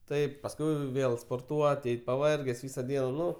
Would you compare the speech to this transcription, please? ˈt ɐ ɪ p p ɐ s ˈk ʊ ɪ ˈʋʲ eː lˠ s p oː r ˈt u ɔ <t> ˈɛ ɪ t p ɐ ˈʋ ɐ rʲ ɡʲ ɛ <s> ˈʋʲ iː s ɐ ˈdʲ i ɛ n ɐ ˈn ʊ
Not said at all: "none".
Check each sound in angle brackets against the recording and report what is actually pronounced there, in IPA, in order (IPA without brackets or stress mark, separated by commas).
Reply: t, s